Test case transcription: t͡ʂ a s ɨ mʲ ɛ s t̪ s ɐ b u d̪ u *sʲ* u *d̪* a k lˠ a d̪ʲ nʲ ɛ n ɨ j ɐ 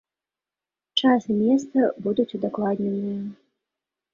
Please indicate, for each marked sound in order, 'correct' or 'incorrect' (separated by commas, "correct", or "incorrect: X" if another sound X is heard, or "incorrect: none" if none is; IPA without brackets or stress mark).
incorrect: t͡sʲ, correct